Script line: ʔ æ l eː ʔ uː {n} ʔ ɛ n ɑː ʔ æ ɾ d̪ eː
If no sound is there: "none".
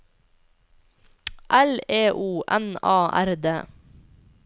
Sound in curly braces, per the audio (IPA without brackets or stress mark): none